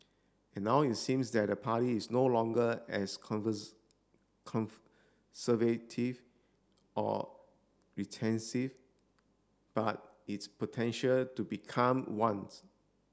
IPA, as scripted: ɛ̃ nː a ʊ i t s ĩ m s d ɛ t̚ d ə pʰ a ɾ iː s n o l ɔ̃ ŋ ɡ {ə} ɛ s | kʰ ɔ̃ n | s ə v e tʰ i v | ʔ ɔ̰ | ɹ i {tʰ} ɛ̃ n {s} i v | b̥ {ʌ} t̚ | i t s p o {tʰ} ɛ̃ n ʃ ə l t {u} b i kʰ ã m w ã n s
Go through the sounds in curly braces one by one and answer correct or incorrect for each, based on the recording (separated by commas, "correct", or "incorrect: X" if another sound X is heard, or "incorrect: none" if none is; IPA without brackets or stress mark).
correct, correct, correct, incorrect: a, correct, correct